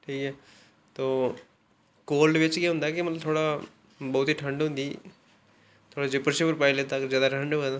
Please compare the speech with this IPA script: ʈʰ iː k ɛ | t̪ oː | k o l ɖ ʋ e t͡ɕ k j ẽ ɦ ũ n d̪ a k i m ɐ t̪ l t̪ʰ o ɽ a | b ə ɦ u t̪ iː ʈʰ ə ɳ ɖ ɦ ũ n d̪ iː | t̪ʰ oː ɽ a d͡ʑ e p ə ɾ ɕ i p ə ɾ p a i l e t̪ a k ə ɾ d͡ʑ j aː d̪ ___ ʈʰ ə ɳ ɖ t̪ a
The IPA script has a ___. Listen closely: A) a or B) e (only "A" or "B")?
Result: A